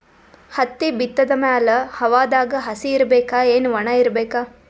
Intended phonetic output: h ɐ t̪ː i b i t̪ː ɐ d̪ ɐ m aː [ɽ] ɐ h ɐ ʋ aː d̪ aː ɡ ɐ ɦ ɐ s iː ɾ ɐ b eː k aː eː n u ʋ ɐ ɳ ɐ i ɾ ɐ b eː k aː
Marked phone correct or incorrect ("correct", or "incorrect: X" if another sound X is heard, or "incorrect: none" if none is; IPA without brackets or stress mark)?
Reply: incorrect: l